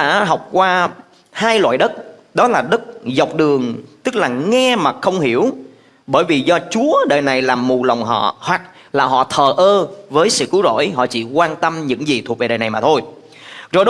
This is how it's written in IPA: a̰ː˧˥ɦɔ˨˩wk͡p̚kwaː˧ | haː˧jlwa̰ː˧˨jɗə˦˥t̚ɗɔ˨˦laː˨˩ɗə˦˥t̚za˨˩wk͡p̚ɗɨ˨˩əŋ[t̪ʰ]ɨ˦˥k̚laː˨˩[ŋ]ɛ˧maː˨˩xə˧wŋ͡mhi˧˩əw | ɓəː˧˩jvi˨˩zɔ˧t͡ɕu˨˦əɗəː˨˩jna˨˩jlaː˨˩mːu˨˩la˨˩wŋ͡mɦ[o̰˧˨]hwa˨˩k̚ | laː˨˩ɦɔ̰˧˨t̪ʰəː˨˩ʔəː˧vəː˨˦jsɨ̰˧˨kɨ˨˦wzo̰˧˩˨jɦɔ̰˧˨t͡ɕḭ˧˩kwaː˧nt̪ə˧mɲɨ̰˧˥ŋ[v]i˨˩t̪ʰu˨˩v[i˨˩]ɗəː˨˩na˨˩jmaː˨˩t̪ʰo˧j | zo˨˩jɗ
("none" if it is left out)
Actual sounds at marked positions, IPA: t̪, ŋ, ɔ̰˧˨, z, e˨˩

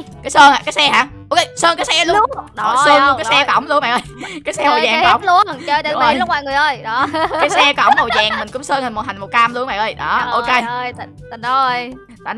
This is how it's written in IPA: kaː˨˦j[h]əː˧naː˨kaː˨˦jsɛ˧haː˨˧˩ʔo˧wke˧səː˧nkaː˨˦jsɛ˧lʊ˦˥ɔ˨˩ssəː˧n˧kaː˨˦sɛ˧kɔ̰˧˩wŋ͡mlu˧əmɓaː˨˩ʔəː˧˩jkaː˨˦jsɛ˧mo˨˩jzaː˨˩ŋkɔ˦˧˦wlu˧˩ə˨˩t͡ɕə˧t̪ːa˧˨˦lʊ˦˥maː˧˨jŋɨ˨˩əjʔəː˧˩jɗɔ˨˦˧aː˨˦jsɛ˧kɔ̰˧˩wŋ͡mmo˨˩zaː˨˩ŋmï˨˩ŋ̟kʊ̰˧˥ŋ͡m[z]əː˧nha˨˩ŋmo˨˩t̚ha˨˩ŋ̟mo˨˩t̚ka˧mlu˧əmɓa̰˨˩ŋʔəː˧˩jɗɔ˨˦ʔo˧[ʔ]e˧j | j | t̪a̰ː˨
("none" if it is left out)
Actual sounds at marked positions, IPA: s, s, k

